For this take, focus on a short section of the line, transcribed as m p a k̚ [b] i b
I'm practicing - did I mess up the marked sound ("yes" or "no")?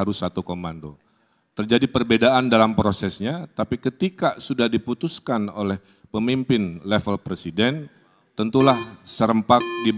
yes